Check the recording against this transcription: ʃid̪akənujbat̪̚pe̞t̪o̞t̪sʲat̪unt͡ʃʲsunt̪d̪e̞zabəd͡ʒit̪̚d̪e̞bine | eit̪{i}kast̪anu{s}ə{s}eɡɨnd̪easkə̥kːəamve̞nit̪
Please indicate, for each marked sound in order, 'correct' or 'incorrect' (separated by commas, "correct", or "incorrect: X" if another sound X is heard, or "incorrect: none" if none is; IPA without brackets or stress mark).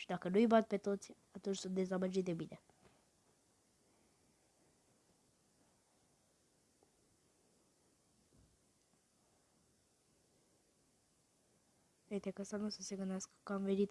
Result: incorrect: e, correct, correct